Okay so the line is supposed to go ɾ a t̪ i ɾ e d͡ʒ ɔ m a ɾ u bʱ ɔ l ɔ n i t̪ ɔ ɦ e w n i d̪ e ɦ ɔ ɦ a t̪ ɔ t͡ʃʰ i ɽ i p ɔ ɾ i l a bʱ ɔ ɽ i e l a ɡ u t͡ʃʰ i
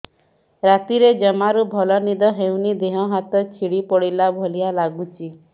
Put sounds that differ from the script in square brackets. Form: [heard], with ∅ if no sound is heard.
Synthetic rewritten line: ɾ a t̪ i ɾ e d͡ʒ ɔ m a ɾ u bʱ ɔ l ɔ n i [d̪] ɔ ɦ e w n i d̪ e ɦ ɔ ɦ a t̪ ɔ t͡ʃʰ i ɽ i p ɔ [ɽ] i l a bʱ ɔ [l] i [a] l a ɡ u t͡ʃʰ i